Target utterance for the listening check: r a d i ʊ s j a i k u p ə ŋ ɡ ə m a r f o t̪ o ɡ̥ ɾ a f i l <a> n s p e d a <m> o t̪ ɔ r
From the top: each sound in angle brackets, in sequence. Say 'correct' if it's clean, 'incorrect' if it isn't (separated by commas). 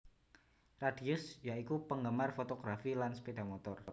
correct, correct